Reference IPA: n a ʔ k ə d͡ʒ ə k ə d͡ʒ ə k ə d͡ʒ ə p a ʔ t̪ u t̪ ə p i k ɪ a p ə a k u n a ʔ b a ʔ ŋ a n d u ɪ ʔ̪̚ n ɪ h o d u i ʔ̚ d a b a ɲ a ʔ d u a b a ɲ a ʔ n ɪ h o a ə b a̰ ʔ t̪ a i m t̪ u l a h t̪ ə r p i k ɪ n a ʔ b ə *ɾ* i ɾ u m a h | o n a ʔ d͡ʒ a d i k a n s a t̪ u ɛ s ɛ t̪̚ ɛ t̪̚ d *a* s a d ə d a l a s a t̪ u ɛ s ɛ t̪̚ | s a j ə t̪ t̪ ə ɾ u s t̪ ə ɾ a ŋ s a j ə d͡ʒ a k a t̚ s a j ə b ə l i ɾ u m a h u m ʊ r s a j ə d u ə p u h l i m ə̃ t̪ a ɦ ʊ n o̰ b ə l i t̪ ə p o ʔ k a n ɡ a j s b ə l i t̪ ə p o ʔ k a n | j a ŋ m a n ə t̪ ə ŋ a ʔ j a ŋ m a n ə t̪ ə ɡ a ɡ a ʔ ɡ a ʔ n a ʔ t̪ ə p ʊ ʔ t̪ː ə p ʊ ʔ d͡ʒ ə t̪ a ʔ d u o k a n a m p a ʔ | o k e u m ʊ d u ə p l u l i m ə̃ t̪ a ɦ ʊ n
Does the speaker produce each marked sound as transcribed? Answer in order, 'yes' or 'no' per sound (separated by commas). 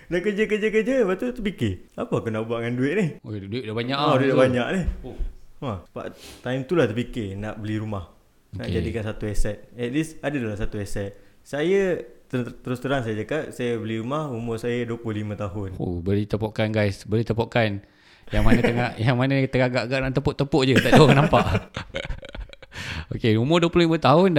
no, no